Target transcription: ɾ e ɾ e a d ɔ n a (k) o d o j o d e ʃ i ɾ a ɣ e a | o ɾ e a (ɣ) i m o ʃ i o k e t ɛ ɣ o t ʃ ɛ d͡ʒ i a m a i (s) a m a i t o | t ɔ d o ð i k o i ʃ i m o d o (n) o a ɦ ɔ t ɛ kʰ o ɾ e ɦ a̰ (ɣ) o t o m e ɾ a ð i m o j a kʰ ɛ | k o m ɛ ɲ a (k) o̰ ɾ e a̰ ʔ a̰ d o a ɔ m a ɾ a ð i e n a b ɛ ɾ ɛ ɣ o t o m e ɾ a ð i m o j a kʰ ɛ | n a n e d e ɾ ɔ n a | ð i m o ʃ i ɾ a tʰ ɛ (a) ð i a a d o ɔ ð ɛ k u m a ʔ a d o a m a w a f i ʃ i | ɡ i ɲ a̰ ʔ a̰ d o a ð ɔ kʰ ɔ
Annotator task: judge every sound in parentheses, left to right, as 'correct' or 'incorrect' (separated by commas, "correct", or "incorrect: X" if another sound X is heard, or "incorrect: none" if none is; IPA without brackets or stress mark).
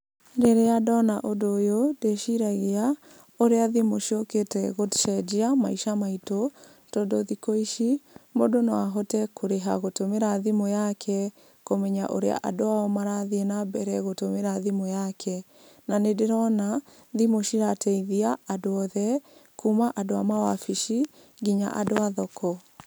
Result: incorrect: ʔ, incorrect: ð, incorrect: ʃ, correct, correct, incorrect: ʔ, incorrect: i